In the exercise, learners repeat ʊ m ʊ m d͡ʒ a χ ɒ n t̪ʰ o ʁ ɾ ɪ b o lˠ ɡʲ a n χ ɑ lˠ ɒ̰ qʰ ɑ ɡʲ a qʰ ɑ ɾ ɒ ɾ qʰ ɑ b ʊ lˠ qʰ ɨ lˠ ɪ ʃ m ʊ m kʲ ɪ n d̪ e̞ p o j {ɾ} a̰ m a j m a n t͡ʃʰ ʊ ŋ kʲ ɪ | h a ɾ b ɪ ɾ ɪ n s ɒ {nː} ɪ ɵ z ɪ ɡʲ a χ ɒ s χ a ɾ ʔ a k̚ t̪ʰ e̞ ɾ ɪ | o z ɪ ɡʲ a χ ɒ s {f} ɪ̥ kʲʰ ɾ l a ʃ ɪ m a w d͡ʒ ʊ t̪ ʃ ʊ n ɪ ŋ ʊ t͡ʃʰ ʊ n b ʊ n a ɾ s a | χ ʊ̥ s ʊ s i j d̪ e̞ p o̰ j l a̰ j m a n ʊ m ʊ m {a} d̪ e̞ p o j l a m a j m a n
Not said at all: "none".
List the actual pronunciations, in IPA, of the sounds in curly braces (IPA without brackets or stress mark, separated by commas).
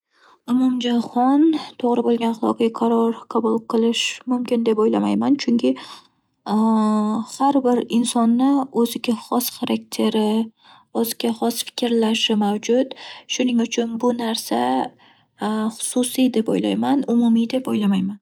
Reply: l, nː, f, i